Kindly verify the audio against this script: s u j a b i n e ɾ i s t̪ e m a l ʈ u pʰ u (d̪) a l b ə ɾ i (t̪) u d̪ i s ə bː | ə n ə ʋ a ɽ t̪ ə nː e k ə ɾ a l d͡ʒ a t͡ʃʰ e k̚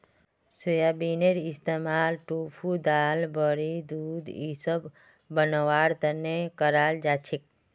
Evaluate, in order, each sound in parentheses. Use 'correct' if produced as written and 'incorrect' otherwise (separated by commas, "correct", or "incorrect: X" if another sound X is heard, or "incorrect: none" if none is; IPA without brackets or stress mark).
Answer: correct, incorrect: d̪